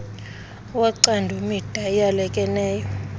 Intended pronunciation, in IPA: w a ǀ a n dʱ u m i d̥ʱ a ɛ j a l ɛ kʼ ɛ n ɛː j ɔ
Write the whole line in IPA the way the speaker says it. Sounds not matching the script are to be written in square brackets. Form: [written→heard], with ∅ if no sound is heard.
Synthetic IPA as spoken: w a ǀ a n dʱ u m i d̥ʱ a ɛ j a l ɛ kʼ ɛ n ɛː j ɔ